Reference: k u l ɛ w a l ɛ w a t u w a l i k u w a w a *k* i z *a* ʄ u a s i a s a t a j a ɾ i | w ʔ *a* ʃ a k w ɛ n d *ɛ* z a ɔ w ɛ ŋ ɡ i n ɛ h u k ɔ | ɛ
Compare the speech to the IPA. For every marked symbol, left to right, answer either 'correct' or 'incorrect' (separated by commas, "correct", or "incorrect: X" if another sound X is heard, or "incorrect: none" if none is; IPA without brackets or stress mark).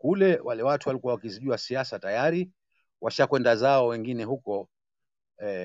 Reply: correct, incorrect: i, correct, incorrect: a